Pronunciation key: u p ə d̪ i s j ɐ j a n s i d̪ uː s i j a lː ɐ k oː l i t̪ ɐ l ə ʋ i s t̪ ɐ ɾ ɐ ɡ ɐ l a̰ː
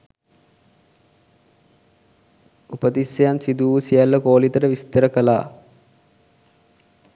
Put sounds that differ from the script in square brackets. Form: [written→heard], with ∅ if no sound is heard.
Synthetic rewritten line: u p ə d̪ i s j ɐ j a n s i d̪ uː s i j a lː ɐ k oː l i t̪ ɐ [l→ɾ] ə ʋ i s t̪ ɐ ɾ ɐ [ɡ→k] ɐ l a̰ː

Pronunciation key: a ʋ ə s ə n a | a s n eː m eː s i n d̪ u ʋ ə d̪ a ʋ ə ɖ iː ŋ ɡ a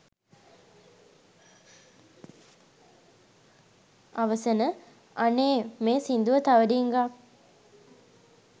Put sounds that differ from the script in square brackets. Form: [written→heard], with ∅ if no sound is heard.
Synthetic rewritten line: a ʋ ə s ə n [a→ə] | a [s→∅] n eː m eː s i n d̪ u ʋ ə [d̪→t̪] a ʋ ə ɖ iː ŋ ɡ a

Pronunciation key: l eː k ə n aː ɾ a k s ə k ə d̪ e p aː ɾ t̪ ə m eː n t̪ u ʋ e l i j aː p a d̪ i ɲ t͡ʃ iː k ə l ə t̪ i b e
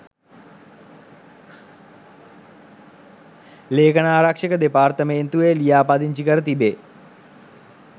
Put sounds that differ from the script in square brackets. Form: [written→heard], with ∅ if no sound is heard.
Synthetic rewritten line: l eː k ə n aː ɾ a k [s→ʂ] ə k ə d̪ e p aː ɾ t̪ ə m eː n t̪ u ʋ e l i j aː p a d̪ i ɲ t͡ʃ [iː→i] k ə [l→ɾ] ə t̪ i b e

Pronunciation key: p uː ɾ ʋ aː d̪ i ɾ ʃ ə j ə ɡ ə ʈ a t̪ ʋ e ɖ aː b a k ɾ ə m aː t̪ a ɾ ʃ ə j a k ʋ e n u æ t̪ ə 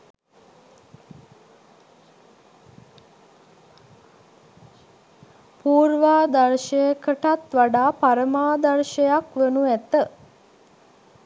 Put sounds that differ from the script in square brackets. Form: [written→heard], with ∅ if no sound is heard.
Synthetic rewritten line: p uː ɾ ʋ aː d̪ [i→a] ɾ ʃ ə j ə [ɡ→k] ə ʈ a t̪ ʋ [e→a] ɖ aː [b→p] a [k→∅] ɾ ə m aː [t̪→d̪] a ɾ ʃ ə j a k ʋ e n u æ t̪ ə

